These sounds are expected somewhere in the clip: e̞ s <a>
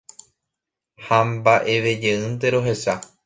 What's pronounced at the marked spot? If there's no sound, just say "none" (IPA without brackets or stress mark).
a